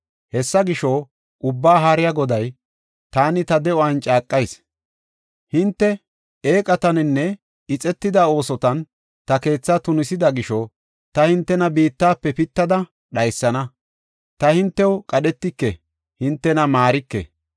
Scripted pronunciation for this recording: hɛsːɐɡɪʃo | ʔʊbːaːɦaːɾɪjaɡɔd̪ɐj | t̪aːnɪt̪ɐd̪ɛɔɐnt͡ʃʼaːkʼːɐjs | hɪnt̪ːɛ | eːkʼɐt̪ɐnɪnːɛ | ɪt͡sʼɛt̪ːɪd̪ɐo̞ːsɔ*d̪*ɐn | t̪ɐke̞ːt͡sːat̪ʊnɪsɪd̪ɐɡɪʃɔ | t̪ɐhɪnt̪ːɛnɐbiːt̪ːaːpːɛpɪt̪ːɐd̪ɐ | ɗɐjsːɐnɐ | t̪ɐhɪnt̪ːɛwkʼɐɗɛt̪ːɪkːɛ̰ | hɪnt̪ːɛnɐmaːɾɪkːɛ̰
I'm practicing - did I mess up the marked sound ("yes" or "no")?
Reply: yes